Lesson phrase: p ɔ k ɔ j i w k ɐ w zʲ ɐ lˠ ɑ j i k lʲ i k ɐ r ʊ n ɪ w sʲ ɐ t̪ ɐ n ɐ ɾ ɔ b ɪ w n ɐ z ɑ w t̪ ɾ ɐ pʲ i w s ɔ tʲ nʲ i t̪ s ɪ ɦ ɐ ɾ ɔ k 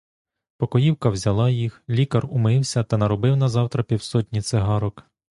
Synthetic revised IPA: p ɔ k ɔ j i w k ɐ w zʲ ɐ lˠ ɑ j i x lʲ i k ɐ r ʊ m ɪ w sʲ ɐ t̪ ɐ n ɐ ɾ ɔ b ɪ w n ɐ z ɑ w t̪ ɾ ɐ pʲ i w s ɔ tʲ nʲ i t̪ s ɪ ɦ ɑ ɾ ɔ k